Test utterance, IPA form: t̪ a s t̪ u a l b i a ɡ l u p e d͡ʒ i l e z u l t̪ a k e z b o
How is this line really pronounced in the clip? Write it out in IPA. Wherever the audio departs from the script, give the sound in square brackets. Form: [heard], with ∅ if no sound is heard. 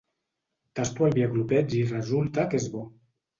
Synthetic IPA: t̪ a s t̪ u a l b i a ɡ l u p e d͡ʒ i [r] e z u l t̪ a k e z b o